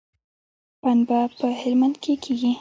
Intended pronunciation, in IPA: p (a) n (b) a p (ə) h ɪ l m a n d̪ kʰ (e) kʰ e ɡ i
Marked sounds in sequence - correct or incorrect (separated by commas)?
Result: correct, correct, correct, correct